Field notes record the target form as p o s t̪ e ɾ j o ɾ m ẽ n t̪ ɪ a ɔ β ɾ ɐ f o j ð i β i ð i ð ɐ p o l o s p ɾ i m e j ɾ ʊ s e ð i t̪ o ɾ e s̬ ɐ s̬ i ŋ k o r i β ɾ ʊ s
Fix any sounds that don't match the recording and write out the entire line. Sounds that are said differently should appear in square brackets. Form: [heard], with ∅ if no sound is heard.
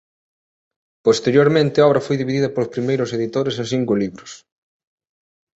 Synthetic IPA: p o s t̪ e ɾ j o ɾ m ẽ n t̪ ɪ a ɔ β ɾ ɐ f o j ð i β i ð i ð ɐ p o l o s p ɾ i m e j ɾ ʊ s e ð i t̪ o ɾ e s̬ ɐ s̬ i ŋ k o [l] i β ɾ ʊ s